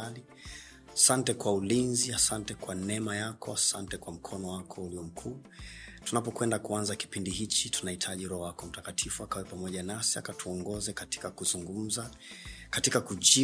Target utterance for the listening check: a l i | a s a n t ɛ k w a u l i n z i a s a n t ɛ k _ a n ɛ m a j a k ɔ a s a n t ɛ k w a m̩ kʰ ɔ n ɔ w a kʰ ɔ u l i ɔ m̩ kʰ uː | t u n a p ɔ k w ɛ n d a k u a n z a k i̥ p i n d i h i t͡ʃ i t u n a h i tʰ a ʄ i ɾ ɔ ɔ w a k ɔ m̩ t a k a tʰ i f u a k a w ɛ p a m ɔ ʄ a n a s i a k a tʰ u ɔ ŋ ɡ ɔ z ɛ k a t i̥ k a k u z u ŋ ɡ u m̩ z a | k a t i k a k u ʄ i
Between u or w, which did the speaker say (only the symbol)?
w